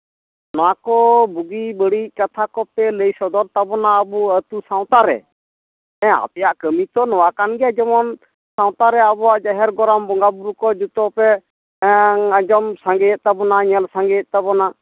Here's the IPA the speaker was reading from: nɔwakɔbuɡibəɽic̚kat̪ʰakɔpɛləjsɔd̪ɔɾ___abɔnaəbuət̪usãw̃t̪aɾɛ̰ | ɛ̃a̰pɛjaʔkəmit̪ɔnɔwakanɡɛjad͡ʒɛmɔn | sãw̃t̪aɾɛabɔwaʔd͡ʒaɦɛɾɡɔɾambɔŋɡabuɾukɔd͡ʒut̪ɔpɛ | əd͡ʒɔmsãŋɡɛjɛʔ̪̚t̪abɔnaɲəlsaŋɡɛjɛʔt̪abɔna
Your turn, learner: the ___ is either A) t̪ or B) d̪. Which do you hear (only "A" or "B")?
A